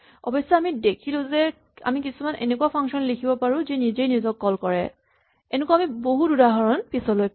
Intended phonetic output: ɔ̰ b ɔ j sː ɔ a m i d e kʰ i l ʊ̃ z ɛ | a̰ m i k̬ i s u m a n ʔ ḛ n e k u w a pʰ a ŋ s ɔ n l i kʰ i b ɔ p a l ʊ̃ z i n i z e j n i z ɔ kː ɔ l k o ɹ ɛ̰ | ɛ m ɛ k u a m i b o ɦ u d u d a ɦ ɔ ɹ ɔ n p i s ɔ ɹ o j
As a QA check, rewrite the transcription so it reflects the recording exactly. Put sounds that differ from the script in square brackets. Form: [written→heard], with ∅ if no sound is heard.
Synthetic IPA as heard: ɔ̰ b ɔ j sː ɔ a m i d e kʰ i l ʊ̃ z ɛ | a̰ m i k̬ i s u m a n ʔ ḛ n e k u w a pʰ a ŋ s ɔ n l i kʰ i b ɔ p a [l→ɹ] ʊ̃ z i n i z e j n i z ɔ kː ɔ l k [o→ɔ] ɹ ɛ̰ | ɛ [m→n] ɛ k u a m i b o ɦ u d u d a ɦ ɔ ɹ ɔ n p i s ɔ [ɹ→l] o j

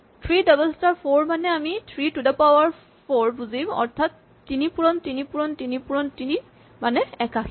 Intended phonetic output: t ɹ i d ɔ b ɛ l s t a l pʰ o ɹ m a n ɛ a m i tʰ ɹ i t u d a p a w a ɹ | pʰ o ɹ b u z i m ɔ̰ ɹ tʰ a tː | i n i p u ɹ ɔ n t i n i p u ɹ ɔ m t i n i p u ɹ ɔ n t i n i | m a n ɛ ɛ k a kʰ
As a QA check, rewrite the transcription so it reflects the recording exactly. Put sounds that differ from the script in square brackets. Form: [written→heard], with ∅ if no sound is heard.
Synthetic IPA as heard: [t→tʰ] ɹ i d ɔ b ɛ l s t a [l→ɹ] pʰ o ɹ m a n ɛ a m i tʰ ɹ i t u d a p a w a ɹ | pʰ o ɹ b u z i m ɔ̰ ɹ tʰ a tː | i n i p u ɹ ɔ n t i n i p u ɹ ɔ [m→n] t i n i p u ɹ ɔ n t i n i | m a n ɛ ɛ k a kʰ

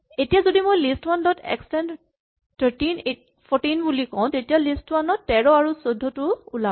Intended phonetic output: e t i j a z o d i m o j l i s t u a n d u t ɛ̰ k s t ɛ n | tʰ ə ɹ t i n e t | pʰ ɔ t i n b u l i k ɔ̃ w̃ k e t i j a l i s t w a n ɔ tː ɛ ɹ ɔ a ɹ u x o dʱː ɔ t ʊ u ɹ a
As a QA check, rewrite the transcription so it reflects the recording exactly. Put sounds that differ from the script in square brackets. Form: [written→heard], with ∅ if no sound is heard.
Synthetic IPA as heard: e t i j a z o d i m o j l i s t [u→w] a n d [u→ɔ] t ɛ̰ k s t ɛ n | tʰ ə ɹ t i n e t | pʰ ɔ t i n b u l i k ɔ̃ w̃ [k→t] e t i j a l i s t w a n ɔ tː ɛ ɹ ɔ a ɹ u [x→s] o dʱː ɔ t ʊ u [ɹ→l] a

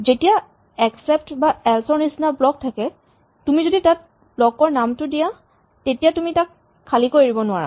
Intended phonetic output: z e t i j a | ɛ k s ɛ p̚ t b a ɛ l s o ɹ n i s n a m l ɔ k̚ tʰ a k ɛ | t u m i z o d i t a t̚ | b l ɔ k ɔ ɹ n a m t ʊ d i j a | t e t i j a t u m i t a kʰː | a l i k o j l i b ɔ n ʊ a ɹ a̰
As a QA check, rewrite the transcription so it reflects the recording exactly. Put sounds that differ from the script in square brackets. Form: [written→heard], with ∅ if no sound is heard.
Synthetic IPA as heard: z e t i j a | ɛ k s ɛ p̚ t b a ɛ l s [o→ɔ] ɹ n i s n a [m→b] l ɔ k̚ tʰ a k ɛ | t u m i z o d i t a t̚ | b l ɔ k ɔ ɹ n a m t ʊ d i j a | t e t i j a t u m i t a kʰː | a l i k o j [l→ɹ] i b ɔ n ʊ a ɹ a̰

